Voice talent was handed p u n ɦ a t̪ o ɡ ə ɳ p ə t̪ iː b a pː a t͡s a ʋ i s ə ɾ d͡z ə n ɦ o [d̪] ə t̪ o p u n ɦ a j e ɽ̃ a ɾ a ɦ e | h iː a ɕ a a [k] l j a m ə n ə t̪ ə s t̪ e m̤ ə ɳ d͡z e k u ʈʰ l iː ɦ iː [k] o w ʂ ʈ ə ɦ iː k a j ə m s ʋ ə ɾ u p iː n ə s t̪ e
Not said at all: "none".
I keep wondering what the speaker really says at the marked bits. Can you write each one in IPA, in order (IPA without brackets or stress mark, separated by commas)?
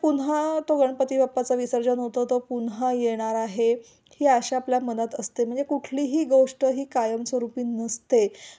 t̪, p, ɡ